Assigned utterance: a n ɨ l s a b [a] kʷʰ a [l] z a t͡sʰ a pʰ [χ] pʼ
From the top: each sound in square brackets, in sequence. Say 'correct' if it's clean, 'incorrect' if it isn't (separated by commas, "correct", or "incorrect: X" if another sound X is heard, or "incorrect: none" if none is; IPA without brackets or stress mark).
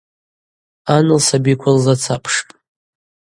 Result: incorrect: i, correct, incorrect: ʂ